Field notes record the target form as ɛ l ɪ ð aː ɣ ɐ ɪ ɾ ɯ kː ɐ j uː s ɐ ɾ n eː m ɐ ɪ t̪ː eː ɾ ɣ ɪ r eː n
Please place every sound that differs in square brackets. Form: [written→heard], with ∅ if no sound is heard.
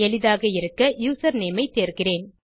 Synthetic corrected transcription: ɛ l ɪ ð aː ɣ ɐ ɪ ɾ ɯ kː ɐ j uː s ɐ ɾ n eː m ɐ ɪ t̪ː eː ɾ ɣ ɪ r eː n